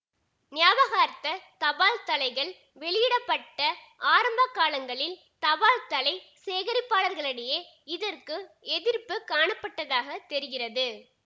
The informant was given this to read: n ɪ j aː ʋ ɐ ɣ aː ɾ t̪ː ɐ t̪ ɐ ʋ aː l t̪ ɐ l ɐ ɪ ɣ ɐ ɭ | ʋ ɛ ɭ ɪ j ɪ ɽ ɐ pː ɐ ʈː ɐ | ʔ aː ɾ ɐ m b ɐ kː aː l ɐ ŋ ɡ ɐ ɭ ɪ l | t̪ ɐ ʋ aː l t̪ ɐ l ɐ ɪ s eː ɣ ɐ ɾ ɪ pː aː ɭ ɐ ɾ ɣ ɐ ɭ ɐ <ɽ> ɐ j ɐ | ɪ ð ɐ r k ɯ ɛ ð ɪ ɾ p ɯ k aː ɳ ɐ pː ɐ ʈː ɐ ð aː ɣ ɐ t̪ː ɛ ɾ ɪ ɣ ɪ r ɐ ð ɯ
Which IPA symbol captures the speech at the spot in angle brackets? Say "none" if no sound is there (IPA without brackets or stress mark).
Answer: ɽ